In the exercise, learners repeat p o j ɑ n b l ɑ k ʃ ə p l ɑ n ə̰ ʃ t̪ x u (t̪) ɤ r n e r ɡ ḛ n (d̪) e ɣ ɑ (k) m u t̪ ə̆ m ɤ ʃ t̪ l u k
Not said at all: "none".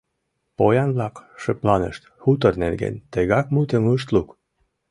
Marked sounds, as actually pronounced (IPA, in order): t̪, t̪, k

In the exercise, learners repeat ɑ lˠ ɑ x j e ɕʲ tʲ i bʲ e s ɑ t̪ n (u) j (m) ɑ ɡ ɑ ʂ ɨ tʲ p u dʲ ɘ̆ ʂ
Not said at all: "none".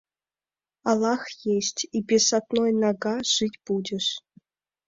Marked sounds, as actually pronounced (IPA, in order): o, n

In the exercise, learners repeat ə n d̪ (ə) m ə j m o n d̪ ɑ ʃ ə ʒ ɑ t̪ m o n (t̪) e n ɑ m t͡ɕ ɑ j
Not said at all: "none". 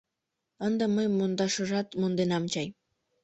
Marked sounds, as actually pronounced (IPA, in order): ə, d̪

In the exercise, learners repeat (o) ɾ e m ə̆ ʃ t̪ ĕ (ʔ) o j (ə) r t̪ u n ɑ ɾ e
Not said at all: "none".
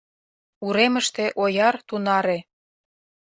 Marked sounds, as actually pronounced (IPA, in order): u, ʔ, ɑ

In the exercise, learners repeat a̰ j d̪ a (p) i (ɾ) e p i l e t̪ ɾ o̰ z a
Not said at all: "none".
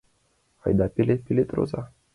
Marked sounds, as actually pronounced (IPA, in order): p, l

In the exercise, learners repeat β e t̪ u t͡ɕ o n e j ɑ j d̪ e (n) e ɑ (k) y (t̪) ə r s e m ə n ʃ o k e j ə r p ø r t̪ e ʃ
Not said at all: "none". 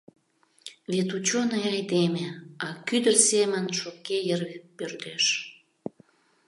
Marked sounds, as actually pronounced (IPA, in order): m, k, d̪

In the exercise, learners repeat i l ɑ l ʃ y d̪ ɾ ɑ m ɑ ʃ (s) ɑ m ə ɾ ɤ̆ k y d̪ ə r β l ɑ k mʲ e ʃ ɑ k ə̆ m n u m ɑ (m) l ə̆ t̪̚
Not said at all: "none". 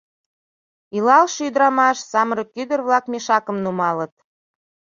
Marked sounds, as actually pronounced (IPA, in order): s, none

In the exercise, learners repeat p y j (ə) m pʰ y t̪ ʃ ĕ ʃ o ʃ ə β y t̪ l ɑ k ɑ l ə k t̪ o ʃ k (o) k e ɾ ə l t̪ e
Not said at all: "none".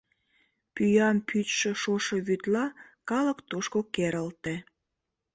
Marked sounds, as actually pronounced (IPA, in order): ɑ, o

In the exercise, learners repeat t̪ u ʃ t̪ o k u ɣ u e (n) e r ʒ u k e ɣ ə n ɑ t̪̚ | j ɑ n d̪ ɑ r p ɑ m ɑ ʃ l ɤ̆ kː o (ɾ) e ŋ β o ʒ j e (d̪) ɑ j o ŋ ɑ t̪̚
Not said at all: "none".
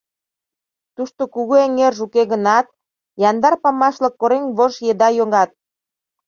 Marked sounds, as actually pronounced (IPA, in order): ŋ, ɾ, d̪

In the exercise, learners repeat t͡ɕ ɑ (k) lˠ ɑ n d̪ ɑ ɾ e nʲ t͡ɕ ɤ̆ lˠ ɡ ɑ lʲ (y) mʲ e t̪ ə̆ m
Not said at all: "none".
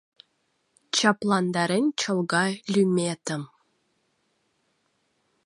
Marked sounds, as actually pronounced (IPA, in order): p, y

